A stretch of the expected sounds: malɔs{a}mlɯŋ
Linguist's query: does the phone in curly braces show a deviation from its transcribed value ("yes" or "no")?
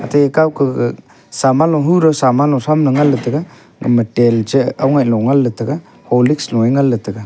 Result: no